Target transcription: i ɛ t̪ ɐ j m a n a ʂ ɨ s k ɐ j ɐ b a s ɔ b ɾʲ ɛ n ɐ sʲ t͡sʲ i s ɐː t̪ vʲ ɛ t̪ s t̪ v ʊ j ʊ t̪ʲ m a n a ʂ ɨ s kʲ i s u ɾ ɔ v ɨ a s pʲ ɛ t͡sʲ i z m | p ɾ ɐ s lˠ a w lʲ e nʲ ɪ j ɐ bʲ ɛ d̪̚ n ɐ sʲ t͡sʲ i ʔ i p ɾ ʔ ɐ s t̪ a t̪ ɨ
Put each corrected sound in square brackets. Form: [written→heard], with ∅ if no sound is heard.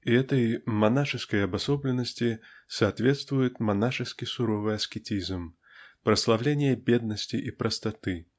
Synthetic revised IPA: i ɛ t̪ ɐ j m a n a ʂ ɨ s k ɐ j ɐ b a s ɔ b [ɾʲ→lʲ] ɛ n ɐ sʲ t͡sʲ i s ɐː t̪ vʲ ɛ t̪ s t̪ v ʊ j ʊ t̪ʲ m a n a ʂ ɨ s kʲ i s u ɾ ɔ v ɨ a s [pʲ→kʲ] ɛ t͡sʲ i z m | p ɾ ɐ s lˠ a w lʲ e nʲ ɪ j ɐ bʲ ɛ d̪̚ n ɐ sʲ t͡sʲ i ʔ i p ɾ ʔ ɐ s t̪ a t̪ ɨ